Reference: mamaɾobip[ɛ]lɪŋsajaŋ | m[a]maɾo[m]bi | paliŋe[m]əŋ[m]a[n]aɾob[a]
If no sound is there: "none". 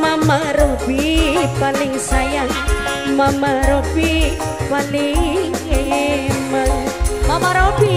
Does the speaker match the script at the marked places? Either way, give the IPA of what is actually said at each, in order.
a, a, none, m, m, m, i

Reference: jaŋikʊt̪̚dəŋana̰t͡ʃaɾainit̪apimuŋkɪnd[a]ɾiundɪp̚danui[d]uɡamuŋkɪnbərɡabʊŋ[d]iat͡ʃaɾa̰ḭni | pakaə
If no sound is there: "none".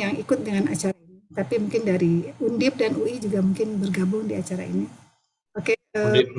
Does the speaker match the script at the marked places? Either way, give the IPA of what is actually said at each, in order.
a, d͡ʒ, d

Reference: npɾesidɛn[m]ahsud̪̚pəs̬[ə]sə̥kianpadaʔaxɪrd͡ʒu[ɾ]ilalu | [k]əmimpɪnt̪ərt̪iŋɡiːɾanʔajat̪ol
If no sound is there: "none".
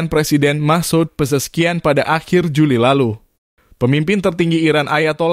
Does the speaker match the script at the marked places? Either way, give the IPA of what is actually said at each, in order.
m, ə, l, p

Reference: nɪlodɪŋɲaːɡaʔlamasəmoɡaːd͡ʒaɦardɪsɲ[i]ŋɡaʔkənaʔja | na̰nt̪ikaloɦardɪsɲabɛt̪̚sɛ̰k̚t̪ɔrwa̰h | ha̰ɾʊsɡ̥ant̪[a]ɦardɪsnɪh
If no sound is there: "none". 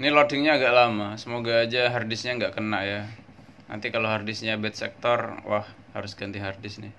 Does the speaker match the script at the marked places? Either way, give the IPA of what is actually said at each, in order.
a, i

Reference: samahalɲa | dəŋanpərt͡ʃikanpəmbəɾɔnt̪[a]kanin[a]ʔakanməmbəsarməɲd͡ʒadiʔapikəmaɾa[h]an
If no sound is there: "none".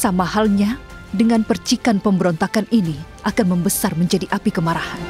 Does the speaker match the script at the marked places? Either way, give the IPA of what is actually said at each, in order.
a, i, h

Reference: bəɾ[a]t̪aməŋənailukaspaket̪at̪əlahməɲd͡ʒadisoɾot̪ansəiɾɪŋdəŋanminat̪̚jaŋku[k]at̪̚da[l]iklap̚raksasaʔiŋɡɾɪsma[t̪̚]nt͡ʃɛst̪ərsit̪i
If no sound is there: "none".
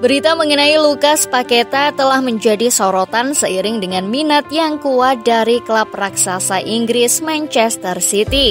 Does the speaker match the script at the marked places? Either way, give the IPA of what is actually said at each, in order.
i, none, ɾ, none

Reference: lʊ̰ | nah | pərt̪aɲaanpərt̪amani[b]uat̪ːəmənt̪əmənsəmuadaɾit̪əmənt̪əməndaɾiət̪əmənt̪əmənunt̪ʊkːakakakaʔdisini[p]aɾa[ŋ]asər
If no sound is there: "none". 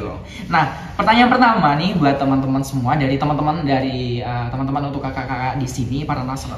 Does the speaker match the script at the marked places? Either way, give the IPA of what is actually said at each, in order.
b, p, n

